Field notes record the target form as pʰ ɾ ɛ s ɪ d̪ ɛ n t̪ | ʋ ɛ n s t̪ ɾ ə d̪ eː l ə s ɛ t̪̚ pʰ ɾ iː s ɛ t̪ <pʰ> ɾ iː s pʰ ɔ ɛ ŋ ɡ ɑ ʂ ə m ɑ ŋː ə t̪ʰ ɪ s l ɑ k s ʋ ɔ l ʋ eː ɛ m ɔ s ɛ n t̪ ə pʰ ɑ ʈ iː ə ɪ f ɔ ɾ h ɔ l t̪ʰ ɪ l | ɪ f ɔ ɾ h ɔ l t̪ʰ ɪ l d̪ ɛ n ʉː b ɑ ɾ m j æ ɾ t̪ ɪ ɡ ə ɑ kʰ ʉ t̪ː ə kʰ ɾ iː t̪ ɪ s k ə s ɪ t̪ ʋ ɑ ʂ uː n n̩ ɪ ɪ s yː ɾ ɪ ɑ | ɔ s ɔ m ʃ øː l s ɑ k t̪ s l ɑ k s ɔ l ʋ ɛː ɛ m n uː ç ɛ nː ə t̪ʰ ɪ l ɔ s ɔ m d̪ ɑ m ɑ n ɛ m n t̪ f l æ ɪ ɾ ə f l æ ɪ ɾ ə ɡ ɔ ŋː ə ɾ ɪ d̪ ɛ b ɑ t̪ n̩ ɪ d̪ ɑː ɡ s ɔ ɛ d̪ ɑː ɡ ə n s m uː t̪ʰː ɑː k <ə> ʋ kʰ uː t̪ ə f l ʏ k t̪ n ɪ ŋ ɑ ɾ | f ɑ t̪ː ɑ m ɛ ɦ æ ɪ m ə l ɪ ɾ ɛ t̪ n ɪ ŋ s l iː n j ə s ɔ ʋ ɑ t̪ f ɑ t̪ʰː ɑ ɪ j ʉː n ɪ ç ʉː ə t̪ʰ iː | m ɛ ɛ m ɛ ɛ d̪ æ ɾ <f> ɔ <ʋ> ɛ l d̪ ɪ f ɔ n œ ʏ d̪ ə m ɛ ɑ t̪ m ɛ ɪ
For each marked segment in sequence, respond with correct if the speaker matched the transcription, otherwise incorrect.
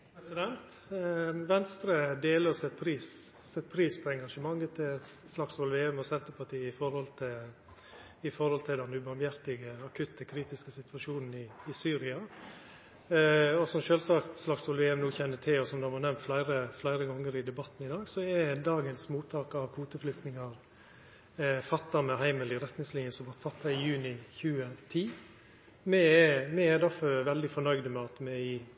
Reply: correct, incorrect, correct, correct

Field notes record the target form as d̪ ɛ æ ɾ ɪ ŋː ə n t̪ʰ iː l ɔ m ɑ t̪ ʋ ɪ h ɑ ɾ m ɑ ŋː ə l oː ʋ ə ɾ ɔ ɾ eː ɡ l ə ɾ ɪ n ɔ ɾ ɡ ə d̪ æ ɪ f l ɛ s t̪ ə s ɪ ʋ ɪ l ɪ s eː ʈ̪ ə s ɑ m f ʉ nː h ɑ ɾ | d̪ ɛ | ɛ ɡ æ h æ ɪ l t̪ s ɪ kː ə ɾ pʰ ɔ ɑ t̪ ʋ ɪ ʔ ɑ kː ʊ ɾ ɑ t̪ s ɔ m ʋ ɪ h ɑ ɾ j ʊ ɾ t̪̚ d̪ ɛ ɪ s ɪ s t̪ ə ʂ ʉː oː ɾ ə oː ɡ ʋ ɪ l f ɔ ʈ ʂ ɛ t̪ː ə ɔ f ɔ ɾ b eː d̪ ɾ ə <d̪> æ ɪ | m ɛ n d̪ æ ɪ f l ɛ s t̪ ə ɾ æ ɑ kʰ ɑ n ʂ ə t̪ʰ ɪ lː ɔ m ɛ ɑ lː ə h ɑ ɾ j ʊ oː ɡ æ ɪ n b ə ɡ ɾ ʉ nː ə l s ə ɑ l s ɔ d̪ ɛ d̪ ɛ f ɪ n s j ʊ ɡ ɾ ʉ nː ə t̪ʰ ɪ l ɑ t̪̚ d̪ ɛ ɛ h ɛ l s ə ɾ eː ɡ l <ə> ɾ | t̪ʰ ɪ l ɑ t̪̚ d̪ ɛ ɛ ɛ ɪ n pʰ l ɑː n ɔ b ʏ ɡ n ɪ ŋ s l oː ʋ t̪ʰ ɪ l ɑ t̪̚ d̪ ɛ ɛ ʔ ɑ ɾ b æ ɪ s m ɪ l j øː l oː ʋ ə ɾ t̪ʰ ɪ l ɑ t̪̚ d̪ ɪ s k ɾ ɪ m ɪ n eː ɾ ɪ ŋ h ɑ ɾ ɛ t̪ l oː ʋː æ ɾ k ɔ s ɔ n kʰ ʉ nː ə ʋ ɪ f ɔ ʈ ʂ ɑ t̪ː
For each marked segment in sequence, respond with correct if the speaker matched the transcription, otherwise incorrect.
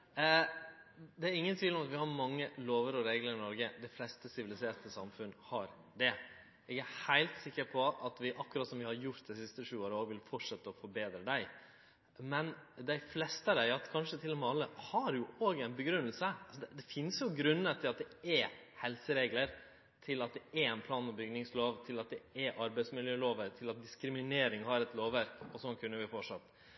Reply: correct, correct

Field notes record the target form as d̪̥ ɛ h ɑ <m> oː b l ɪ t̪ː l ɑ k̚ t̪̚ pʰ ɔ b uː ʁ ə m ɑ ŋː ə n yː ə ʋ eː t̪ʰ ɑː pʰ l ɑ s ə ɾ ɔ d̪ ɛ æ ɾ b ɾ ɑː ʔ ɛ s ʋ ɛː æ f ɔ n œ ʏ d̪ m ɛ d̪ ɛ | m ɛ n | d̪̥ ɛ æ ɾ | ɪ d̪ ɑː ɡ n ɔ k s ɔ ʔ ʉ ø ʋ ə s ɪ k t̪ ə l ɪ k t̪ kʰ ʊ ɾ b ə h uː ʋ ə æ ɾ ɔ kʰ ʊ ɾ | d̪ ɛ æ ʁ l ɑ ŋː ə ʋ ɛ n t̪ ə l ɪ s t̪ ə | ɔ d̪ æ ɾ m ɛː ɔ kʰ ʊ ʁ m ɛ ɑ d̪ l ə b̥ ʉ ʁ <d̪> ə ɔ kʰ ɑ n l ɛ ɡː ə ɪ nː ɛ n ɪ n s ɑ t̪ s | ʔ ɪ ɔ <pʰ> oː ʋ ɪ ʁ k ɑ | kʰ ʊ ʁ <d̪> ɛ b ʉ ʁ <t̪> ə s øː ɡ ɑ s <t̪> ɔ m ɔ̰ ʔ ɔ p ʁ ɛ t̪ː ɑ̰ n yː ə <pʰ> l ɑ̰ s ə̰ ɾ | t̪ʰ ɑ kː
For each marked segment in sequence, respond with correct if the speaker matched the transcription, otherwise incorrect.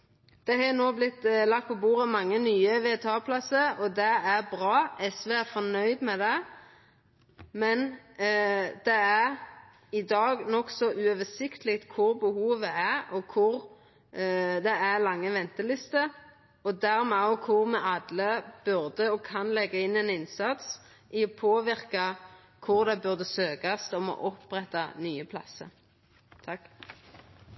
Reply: incorrect, correct, correct, correct, incorrect, correct, correct

